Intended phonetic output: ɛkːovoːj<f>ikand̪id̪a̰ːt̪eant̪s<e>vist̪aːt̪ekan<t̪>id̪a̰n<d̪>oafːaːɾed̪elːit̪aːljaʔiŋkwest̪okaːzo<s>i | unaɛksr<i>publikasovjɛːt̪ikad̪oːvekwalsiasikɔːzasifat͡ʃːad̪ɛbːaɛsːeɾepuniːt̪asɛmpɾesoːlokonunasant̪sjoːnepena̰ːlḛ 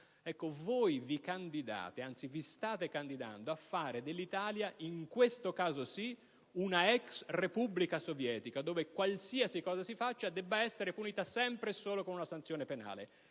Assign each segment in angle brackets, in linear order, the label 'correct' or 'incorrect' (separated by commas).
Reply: incorrect, incorrect, incorrect, correct, correct, incorrect